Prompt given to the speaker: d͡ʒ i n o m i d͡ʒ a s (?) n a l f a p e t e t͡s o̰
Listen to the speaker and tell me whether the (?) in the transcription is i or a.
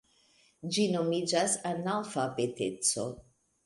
a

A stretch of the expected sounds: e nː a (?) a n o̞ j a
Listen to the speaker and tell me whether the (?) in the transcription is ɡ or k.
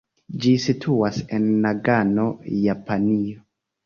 ɡ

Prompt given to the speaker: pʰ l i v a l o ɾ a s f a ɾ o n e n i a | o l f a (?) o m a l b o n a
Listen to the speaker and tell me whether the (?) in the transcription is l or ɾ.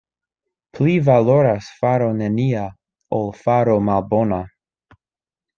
ɾ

